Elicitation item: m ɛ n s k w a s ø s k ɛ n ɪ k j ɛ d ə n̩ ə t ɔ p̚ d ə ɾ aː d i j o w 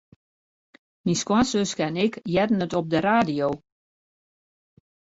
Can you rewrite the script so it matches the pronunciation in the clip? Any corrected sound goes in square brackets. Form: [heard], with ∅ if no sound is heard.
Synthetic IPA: m [i] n s k w a s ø s k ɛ n ɪ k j ɛ d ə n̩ ə t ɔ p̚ d ə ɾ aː d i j o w